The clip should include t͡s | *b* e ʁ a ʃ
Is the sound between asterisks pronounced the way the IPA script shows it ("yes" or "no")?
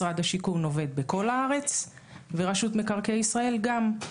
no